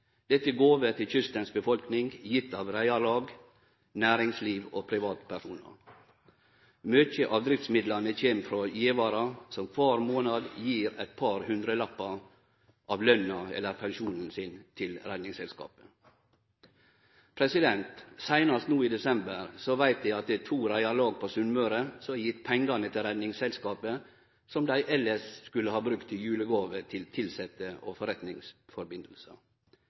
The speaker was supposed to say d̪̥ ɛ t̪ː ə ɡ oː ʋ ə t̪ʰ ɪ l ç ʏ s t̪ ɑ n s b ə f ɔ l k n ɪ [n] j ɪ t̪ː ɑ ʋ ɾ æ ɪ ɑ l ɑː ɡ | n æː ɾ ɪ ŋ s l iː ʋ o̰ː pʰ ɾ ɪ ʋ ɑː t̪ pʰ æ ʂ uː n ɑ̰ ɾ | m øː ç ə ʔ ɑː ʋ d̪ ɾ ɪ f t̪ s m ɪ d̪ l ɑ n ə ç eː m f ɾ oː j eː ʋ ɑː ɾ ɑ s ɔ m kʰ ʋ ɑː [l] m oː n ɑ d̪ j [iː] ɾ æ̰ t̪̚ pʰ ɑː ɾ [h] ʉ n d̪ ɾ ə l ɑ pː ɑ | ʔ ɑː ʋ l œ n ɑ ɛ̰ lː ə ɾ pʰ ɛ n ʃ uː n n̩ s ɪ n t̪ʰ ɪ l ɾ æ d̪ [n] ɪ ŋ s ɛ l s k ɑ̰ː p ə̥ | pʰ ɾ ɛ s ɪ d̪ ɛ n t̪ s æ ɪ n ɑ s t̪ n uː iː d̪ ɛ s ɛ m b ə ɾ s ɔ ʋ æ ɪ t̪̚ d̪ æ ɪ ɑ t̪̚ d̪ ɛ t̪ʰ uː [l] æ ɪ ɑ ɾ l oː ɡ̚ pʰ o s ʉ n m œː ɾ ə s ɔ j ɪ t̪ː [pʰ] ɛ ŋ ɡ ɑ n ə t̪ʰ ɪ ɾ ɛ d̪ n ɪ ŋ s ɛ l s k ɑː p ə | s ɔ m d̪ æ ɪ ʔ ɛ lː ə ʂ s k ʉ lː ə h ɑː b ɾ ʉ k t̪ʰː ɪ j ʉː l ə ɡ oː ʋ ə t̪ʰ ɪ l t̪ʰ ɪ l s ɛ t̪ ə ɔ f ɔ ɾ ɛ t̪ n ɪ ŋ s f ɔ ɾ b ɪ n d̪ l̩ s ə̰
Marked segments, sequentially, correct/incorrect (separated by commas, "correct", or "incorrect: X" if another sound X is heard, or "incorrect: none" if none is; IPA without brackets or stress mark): incorrect: ŋ, incorrect: ɾ, correct, correct, correct, incorrect: ɾ, correct